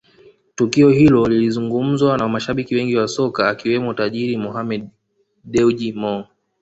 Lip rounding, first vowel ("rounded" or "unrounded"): rounded